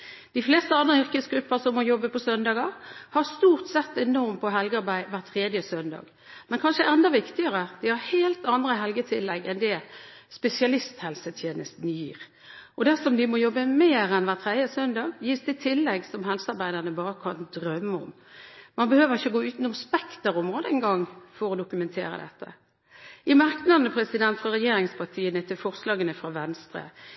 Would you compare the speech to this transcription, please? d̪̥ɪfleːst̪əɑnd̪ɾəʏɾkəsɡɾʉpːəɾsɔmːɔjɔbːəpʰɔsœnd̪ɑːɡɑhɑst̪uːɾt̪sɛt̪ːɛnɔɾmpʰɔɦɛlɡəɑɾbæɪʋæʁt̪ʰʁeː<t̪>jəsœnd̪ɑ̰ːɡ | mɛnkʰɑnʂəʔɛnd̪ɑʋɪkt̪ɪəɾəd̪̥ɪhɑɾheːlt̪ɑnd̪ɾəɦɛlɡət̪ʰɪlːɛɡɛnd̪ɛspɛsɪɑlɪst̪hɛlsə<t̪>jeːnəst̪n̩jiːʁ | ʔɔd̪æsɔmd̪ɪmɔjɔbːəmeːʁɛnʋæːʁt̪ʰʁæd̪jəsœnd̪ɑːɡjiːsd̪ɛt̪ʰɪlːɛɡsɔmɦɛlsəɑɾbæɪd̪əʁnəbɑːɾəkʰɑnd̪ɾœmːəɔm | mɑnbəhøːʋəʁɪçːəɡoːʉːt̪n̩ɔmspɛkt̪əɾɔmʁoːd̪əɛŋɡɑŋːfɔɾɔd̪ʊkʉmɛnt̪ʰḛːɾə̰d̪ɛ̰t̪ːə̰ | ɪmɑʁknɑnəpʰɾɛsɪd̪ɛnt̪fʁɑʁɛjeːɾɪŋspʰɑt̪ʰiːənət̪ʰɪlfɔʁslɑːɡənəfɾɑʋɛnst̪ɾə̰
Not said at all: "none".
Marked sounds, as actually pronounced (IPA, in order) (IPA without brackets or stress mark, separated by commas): d̪, t̪ʰ